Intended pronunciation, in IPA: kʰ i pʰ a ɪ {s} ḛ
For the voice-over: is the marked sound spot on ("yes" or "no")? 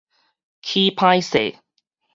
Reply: yes